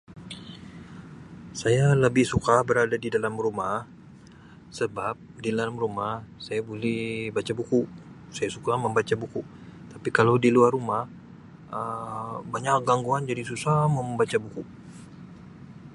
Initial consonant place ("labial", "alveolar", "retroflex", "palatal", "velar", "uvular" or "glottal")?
alveolar